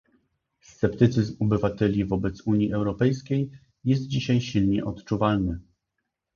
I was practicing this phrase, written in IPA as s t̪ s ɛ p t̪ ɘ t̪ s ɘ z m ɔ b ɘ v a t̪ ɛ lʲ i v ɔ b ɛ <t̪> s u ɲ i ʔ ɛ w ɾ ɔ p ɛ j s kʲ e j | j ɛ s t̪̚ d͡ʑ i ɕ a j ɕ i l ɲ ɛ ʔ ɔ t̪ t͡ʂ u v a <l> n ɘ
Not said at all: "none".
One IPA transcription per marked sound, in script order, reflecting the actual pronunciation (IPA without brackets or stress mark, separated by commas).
t̪, l